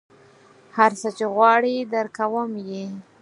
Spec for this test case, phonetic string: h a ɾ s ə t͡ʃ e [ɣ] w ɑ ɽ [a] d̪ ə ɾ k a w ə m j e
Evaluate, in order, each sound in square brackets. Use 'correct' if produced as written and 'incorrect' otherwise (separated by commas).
correct, incorrect